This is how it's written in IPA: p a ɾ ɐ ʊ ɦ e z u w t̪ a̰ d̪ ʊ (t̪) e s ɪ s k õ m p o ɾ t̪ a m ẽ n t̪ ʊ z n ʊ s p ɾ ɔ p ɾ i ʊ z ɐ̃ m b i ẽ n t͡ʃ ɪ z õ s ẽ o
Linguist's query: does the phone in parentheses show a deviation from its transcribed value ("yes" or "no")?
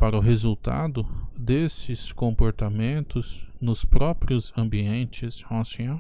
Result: yes